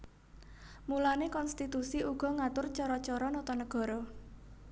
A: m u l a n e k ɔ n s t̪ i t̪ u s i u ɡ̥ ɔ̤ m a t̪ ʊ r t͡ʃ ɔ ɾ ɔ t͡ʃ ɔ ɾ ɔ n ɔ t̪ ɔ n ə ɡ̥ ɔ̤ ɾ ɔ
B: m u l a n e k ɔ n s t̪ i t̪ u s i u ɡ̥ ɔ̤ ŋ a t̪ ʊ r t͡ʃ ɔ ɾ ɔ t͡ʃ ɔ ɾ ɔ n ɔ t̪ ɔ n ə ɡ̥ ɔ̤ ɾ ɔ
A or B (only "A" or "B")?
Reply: B